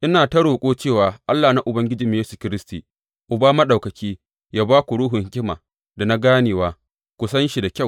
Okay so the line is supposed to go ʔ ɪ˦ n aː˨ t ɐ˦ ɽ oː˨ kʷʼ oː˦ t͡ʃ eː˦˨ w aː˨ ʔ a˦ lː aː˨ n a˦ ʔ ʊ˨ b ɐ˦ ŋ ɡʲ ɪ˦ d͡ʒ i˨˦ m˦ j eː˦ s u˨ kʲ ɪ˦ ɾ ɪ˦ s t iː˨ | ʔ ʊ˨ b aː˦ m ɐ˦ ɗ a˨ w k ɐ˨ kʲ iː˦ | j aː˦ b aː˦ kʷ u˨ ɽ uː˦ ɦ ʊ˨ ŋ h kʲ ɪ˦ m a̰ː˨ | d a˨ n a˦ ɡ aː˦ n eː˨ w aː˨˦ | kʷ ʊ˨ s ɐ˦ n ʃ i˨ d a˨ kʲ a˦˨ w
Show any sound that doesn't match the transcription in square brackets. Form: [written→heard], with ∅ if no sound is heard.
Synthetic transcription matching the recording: ʔ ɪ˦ n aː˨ t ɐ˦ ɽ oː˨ kʷʼ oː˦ t͡ʃ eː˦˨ w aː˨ ʔ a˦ lː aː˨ n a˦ ʔ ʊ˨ b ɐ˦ ŋ ɡʲ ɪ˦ d͡ʒ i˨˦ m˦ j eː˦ s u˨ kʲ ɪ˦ ɾ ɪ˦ s t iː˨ | ʔ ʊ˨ b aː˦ m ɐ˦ ɗ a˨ w k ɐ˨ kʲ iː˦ | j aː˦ b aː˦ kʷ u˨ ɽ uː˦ ɦ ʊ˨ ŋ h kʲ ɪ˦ m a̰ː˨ | d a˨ n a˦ ɡ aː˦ n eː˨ w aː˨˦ | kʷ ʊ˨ s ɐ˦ n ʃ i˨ d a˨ kʲ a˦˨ w